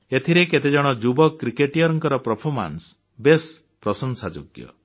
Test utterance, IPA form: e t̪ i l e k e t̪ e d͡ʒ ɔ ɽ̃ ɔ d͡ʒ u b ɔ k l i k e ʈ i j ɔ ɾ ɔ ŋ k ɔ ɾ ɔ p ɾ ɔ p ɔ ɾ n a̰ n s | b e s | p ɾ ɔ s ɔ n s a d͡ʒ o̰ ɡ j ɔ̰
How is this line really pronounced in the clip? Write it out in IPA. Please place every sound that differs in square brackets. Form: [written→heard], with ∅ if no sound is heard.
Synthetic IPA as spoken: e [t̪→t̪ʰ] i [l→ɾ] e k e t̪ e d͡ʒ ɔ ɽ̃ ɔ d͡ʒ u b ɔ k [l→ɾ] i k e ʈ i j ɔ ɾ ɔ ŋ k ɔ ɾ ɔ p ɾ ɔ [p→pʰ] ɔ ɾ [n→m] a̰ n s | b e s | p ɾ ɔ s ɔ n s a d͡ʒ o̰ ɡ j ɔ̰